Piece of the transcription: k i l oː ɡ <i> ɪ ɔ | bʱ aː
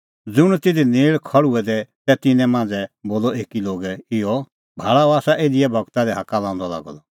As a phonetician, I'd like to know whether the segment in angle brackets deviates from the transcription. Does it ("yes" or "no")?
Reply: yes